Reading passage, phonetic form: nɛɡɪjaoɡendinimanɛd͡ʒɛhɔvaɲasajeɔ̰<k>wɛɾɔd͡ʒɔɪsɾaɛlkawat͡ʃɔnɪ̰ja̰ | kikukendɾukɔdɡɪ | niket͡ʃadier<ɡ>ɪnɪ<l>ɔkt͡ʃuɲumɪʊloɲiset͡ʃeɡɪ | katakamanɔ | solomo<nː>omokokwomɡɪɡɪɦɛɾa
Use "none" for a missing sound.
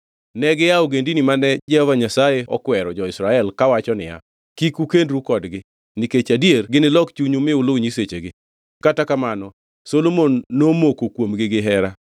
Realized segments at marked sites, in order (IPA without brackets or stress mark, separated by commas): k, ɡ, l, nː